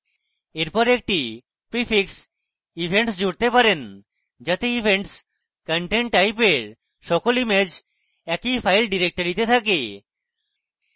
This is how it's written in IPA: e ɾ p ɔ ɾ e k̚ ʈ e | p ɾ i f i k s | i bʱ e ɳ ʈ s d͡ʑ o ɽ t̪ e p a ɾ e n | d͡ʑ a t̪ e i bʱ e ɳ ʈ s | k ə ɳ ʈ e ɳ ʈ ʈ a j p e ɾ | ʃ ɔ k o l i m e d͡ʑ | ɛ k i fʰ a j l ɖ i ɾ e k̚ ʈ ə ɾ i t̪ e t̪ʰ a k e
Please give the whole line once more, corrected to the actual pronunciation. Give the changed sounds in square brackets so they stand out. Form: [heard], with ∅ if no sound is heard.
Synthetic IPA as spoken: e ɾ p ɔ ɾ e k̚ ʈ [i] | p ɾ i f i k s | i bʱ e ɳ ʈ s d͡ʑ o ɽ t̪ e p a ɾ e n | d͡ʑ a t̪ e i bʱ e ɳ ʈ s | k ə ɳ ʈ e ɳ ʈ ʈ a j p e ɾ | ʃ ɔ k o l i m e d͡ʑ | ɛ k i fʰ a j l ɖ i ɾ e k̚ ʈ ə ɾ i t̪ e t̪ʰ a k e